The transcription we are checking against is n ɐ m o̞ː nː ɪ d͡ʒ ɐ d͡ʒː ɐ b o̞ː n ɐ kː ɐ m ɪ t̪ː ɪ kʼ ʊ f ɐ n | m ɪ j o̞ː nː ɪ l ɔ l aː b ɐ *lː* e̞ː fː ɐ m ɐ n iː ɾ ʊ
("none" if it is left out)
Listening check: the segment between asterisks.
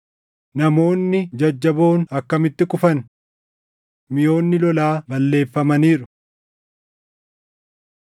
lː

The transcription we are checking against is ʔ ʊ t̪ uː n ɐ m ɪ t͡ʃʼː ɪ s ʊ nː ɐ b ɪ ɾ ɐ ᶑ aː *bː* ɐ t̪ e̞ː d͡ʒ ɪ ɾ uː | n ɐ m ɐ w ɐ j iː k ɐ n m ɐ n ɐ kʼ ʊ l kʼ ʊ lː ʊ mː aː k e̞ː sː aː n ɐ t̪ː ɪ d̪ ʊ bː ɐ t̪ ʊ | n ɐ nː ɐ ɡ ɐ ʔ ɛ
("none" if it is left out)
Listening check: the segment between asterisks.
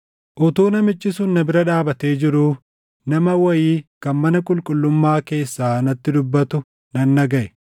b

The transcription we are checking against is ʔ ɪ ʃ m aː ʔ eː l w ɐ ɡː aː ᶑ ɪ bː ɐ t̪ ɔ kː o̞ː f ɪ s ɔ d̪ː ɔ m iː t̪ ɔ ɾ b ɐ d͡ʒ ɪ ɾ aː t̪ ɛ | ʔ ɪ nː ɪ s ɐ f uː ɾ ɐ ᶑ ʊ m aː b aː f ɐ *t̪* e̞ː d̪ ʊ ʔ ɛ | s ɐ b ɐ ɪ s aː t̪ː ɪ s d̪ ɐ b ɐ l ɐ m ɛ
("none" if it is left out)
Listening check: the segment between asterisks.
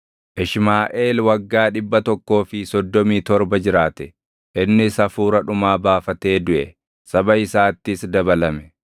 t̪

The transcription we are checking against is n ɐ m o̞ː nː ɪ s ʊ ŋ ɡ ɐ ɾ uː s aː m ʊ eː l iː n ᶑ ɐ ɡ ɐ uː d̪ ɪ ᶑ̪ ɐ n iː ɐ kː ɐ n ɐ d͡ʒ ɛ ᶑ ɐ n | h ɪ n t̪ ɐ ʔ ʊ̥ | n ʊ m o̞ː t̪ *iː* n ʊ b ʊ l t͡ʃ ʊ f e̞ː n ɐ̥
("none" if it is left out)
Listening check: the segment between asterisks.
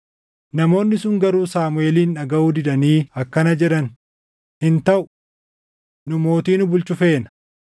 iː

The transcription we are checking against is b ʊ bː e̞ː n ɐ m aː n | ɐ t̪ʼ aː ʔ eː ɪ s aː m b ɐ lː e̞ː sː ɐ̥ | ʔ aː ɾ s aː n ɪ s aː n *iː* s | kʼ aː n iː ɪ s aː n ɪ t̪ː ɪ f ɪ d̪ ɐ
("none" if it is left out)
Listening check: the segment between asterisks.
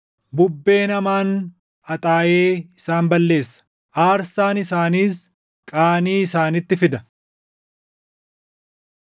iː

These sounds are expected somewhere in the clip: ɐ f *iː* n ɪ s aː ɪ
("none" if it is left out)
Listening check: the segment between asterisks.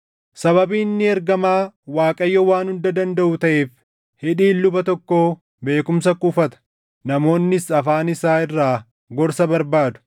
aː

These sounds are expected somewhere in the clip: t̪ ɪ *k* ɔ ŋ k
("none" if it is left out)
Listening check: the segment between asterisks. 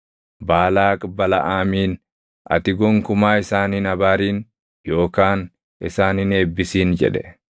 ɡ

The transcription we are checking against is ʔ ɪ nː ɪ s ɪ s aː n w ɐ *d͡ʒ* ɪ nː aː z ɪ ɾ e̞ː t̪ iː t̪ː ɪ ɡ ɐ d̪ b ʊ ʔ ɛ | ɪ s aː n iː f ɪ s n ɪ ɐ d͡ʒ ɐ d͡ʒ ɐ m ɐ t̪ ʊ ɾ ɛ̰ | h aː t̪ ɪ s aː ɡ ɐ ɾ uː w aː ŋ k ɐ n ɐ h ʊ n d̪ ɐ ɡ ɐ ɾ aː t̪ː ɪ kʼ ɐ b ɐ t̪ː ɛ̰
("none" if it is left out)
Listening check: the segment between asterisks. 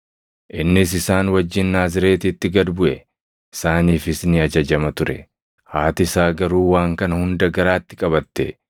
d͡ʒː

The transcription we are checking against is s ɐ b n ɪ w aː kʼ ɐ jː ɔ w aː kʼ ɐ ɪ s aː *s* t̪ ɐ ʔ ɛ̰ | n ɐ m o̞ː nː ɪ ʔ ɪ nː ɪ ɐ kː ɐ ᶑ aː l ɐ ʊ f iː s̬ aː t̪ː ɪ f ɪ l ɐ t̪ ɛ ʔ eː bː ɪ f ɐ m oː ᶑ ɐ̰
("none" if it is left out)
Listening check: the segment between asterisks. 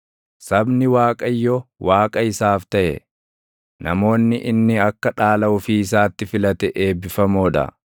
f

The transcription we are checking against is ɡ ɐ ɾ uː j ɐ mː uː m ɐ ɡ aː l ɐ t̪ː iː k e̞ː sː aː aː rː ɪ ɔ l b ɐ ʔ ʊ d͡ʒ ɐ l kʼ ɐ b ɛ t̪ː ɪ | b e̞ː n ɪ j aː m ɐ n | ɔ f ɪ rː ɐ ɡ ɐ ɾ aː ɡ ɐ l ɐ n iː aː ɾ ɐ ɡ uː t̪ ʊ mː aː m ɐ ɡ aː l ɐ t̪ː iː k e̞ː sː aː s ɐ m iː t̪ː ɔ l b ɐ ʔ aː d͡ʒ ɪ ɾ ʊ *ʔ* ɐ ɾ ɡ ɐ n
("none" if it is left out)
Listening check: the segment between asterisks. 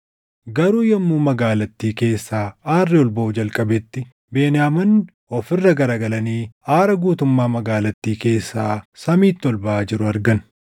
none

